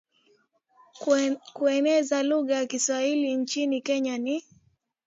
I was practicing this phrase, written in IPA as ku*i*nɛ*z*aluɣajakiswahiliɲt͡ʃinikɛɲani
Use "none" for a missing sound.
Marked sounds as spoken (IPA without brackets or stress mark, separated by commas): ɛ, z